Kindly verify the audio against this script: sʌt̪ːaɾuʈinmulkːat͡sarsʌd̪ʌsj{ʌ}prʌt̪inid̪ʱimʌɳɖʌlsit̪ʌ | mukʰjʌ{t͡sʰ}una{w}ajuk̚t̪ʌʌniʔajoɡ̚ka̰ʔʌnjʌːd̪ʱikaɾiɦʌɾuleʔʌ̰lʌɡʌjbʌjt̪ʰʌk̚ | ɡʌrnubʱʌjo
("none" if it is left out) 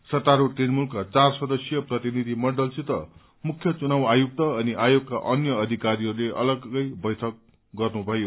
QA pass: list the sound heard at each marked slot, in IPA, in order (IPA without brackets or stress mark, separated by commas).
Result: ʌ, t͡s, w